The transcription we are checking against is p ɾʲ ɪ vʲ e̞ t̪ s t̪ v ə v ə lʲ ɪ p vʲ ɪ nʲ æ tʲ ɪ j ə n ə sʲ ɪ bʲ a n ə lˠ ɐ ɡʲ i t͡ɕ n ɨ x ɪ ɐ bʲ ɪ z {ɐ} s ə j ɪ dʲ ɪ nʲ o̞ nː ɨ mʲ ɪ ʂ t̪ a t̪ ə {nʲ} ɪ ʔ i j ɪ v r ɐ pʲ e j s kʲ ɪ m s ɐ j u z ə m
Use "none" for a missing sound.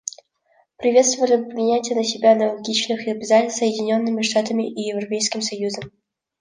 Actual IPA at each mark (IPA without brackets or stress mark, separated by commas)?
a, mʲ